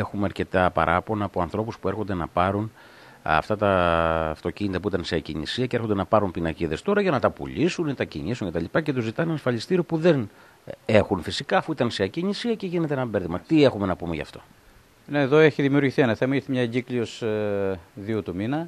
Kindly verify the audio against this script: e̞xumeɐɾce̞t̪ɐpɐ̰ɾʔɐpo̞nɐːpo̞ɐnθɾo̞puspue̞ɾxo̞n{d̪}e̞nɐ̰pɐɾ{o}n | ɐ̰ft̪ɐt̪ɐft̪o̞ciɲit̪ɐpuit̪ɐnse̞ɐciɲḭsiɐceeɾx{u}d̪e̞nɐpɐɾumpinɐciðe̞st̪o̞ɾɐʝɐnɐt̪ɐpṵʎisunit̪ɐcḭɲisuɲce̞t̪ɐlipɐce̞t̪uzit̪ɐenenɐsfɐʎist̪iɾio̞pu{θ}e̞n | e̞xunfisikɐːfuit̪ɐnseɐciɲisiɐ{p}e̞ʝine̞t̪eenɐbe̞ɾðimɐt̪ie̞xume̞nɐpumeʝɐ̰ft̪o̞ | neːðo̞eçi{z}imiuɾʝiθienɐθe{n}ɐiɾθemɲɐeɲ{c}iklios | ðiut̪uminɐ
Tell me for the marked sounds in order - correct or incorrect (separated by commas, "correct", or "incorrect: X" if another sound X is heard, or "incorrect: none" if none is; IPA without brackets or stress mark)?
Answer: correct, incorrect: u, incorrect: o, incorrect: ð, incorrect: c, incorrect: ð, incorrect: m, incorrect: ɟ